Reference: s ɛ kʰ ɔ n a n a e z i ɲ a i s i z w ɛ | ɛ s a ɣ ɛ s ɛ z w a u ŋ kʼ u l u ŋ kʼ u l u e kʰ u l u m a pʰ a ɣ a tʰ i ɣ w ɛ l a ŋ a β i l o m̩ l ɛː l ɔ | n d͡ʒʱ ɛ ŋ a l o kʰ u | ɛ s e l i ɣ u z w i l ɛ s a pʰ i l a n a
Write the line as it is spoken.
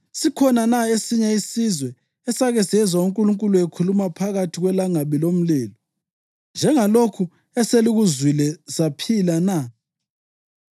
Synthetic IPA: s i kʰ ɔ n a n a e s i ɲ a i s i z w ɛ | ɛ s a ɣ ɛ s ɛ z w a u ŋ kʼ u l u ŋ kʼ u l u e kʰ u l u m a pʰ a ɣ a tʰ i ɣ w ɛ l a ŋ a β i l o m̩ l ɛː l ɔ | n d͡ʒʱ ɛ ŋ a l o kʰ u | ɛ s e l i ɣ u z w i l ɛ s a pʰ i l a n a